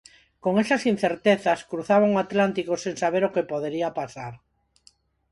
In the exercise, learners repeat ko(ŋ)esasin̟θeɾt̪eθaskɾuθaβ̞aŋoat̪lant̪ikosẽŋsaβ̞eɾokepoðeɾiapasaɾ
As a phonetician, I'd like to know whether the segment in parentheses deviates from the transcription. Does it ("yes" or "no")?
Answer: no